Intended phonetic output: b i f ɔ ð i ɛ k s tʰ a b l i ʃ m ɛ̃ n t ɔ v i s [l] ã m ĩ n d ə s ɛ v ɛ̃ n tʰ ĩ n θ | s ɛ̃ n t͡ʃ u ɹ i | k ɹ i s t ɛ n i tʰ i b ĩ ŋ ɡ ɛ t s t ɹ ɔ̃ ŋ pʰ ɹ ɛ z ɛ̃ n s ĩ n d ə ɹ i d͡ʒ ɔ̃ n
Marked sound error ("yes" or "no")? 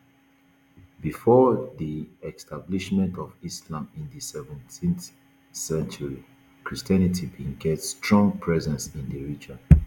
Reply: no